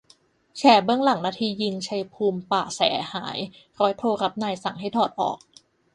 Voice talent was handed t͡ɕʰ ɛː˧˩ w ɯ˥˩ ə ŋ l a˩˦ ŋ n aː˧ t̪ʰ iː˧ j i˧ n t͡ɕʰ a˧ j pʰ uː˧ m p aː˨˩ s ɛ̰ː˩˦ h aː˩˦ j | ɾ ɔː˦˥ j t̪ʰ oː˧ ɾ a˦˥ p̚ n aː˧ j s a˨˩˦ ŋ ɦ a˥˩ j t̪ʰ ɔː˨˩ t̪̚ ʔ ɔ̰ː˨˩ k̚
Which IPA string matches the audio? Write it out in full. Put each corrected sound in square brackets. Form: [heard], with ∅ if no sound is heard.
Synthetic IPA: t͡ɕʰ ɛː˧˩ [b] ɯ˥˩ ə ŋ l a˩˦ ŋ n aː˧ t̪ʰ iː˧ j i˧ [ŋ] t͡ɕʰ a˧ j pʰ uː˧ m p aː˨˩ s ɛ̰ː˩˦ h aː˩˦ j | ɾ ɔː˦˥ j t̪ʰ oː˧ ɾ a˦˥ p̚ n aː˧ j s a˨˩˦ ŋ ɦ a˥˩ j t̪ʰ ɔː˨˩ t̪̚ ʔ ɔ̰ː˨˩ k̚